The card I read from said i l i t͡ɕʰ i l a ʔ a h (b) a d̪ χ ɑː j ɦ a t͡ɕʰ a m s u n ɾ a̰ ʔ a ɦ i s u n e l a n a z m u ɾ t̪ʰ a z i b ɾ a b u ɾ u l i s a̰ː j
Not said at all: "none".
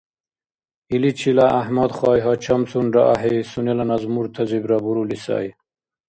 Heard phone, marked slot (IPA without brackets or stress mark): m